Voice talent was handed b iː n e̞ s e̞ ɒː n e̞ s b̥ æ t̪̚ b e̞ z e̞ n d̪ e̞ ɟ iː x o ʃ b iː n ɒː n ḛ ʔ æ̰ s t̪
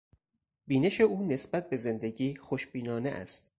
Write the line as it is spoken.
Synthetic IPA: b iː n e̞ ʃ e̞ uː n e̞ s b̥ æ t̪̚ b e̞ z e̞ n d̪ e̞ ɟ iː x o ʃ b iː n ɒː n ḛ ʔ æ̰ s t̪